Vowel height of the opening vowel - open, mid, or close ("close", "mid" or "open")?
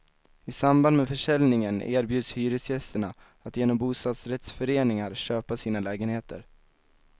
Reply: close